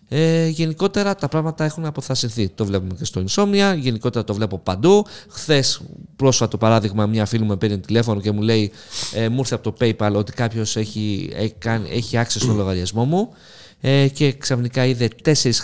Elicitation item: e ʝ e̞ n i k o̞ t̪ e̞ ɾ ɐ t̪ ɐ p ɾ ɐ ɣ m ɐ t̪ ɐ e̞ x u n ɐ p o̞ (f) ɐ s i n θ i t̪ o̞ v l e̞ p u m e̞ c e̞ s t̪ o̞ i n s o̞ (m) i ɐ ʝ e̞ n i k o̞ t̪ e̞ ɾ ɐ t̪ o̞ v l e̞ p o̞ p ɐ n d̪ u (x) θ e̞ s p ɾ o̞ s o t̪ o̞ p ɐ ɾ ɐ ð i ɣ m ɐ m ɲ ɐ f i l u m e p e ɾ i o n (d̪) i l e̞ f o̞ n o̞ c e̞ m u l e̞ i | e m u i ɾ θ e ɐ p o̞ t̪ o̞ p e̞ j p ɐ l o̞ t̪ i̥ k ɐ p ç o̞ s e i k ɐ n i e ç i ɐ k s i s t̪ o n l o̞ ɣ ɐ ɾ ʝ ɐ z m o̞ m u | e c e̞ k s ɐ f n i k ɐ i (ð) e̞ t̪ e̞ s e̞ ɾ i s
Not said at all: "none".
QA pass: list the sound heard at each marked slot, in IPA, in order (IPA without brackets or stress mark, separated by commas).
θ, m, x, t̪, ð